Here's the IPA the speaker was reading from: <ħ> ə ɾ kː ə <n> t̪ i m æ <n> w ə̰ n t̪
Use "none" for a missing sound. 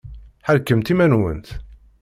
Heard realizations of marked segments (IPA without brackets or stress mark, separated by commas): ħ, m, n